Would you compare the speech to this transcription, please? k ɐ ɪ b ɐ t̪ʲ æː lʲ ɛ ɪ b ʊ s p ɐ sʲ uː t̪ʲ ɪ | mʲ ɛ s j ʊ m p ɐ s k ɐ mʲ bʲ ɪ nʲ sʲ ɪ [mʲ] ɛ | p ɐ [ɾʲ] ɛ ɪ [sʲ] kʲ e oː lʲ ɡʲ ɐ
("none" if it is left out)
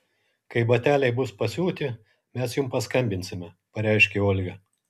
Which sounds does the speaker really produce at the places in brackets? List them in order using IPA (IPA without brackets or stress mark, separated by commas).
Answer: mʲ, ɾʲ, ʃʲ